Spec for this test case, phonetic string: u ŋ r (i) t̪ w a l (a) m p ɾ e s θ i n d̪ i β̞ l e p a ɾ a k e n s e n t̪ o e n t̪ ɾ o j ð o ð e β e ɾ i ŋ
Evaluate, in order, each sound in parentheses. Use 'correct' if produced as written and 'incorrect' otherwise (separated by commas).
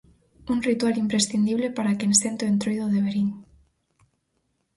correct, incorrect